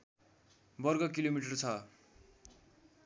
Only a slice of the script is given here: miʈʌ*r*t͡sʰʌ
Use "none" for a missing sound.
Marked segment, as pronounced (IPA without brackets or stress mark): r